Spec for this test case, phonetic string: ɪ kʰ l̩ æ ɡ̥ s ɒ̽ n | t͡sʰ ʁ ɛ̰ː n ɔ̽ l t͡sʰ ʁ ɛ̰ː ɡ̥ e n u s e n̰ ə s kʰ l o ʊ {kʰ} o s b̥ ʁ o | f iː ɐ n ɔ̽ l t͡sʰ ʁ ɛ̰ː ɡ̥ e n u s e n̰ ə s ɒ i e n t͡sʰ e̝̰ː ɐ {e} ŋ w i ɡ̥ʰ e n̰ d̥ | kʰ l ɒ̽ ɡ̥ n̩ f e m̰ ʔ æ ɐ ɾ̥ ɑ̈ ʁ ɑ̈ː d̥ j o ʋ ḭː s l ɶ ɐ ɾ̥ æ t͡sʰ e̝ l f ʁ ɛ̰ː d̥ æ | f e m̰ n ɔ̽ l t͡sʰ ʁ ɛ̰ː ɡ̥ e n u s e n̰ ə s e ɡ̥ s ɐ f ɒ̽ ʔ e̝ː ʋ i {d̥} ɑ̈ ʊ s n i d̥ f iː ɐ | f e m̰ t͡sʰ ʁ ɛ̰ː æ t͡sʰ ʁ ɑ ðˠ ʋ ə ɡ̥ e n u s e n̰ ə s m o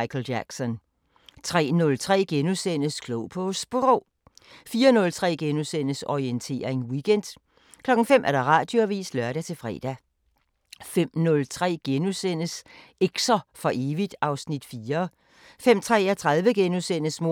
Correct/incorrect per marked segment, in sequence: incorrect, correct, correct

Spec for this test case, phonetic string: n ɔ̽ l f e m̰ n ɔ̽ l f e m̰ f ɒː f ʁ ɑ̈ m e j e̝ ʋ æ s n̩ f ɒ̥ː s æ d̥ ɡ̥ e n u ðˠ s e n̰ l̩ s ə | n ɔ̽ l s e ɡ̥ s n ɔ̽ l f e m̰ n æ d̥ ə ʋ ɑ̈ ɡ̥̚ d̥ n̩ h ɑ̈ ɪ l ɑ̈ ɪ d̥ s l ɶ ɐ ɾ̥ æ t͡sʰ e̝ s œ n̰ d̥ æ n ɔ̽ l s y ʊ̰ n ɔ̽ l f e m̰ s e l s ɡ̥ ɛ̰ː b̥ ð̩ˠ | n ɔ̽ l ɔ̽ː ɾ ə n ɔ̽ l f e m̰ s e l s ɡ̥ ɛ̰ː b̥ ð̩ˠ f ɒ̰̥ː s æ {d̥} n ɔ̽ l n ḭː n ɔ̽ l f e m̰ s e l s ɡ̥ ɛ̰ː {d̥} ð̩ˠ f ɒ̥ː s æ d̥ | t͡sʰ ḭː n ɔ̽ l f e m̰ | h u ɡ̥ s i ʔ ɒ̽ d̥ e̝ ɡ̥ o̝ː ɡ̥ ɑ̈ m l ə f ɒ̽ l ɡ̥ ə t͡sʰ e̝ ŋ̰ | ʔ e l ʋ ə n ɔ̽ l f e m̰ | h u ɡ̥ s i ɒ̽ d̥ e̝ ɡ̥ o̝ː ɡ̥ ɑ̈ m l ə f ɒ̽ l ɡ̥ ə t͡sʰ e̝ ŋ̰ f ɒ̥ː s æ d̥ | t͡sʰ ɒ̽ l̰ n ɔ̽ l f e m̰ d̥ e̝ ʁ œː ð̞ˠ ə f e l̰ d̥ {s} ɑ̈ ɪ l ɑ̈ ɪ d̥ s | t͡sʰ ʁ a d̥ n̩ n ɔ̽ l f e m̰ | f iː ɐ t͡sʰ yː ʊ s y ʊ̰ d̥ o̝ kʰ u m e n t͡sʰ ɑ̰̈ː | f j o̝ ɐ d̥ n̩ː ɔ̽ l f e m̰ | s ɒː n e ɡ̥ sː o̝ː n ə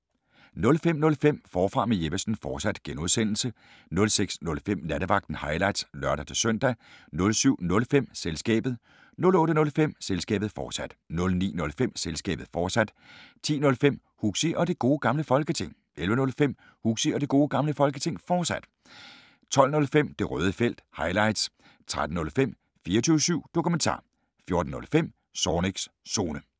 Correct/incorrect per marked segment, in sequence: correct, incorrect, incorrect

